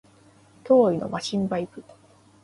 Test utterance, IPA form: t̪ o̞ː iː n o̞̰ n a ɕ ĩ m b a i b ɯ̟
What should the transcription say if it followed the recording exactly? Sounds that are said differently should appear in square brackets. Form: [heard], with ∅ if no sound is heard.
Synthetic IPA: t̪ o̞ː [i] n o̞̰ [m] a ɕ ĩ m b a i [p] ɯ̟